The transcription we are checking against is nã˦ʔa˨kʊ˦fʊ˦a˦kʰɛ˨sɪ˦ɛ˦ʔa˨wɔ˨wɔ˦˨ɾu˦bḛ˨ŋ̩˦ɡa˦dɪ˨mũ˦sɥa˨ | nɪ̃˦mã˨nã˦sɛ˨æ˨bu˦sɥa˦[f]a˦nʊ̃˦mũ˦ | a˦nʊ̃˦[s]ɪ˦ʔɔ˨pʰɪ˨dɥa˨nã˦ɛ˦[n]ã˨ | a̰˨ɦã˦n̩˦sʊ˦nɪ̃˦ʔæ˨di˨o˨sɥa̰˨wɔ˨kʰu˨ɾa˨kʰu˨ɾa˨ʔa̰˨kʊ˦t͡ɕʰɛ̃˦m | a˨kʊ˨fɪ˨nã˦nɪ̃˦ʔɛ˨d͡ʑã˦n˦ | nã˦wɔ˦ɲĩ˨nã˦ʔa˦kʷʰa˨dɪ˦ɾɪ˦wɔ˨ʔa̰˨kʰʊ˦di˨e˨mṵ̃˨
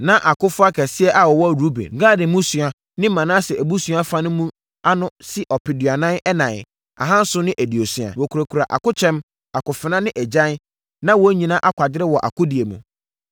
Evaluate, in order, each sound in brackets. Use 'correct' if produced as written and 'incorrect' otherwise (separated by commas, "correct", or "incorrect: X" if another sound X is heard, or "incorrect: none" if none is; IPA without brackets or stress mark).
correct, correct, correct